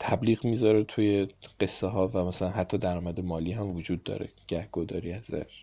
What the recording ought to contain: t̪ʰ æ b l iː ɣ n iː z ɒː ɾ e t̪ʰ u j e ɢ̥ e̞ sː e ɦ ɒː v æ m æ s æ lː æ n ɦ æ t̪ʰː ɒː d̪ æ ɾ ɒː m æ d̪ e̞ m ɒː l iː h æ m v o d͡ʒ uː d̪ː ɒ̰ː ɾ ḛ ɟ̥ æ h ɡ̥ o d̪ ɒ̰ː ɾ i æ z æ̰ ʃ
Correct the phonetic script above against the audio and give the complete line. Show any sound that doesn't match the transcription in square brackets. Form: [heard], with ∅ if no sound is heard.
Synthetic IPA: t̪ʰ æ b l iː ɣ [m] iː z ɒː ɾ e t̪ʰ u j e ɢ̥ e̞ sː e ɦ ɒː v æ m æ s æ [l] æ n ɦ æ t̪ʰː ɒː d̪ æ ɾ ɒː m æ d̪ e̞ m ɒː l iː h æ m v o d͡ʒ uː d̪ː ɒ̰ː ɾ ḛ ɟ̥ æ h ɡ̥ o d̪ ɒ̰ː ɾ i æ z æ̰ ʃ